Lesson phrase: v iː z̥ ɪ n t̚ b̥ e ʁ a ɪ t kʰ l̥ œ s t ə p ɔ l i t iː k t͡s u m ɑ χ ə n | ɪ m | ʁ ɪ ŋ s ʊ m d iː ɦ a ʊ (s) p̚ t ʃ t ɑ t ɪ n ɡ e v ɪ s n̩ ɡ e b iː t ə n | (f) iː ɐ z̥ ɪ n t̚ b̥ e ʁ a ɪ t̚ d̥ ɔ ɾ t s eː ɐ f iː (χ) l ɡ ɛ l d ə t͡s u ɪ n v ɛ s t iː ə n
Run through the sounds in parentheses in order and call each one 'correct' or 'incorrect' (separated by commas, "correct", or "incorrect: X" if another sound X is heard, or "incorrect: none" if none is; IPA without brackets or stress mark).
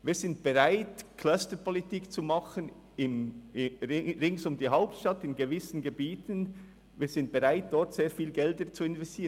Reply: incorrect: none, incorrect: v, incorrect: none